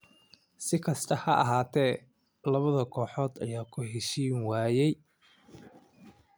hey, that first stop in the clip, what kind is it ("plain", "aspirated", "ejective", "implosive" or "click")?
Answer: aspirated